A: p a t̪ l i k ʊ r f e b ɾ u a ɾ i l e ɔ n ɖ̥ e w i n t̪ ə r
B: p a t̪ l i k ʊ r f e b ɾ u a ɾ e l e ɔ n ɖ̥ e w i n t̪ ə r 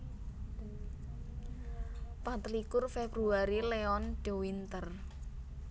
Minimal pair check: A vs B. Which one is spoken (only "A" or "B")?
A